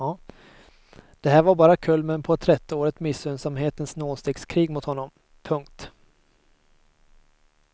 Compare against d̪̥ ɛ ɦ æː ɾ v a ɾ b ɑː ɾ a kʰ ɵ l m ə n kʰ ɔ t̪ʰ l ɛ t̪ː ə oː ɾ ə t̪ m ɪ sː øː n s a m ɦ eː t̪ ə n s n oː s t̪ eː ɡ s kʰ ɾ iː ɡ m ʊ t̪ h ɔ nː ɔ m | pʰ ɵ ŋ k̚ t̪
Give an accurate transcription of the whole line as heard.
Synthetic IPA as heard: d̪̥ ɛ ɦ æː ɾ v a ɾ b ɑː ɾ a kʰ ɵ l m ə n pʰ ɔ t̪ʰ ɾ ɛ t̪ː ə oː ɾ ə t̪ m ɪ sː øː n s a m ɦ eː t̪ ə n s n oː s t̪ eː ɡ s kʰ ɾ iː ɡ m ʊ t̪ h ɔ nː ɔ m | pʰ ɵ ŋ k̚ t̪